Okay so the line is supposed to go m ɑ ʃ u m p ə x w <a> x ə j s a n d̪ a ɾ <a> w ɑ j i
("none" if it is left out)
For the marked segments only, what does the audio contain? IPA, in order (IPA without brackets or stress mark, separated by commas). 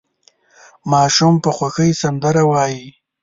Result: a, a